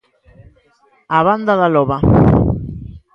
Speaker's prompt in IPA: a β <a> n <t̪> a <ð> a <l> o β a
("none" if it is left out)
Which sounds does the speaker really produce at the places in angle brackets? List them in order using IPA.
a, d̪, ð, l

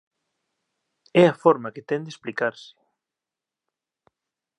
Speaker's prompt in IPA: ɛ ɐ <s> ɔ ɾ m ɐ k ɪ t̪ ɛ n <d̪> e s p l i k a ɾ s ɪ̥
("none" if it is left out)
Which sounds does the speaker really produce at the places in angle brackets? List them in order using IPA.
f, d̪

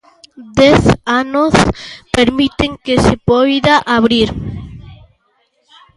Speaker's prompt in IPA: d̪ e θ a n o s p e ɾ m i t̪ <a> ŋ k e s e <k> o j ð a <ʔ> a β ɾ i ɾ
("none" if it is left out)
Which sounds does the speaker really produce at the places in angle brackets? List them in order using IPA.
e, p, ʔ

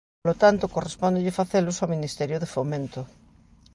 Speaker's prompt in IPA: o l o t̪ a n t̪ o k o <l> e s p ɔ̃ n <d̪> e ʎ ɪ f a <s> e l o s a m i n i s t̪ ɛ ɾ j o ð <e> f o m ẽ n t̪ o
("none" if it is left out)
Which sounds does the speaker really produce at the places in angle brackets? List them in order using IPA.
r, d̪, θ, e

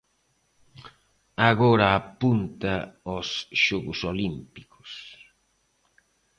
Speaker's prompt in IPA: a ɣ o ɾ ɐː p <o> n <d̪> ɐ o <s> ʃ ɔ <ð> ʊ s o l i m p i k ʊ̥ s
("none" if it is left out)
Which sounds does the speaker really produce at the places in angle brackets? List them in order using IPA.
u, t̪, s, ɣ

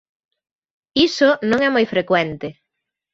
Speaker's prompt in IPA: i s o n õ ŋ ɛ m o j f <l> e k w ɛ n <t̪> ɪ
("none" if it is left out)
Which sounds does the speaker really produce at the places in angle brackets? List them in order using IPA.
ɾ, t̪

